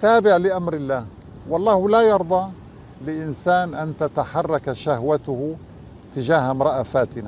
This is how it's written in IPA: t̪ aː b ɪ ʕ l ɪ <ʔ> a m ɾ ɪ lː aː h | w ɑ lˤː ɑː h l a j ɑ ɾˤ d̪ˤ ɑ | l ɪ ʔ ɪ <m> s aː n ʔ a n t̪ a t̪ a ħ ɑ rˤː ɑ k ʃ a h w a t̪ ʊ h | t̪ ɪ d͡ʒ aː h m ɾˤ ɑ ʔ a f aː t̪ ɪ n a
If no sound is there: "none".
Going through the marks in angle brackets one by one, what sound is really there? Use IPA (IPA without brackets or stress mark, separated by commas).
ʔ, n